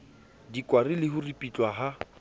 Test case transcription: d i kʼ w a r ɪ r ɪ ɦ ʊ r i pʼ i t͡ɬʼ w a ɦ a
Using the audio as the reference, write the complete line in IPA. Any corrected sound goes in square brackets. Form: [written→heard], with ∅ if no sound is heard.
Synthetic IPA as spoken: d i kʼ w a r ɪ [r→l] ɪ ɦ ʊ r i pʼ i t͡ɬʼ w a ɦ a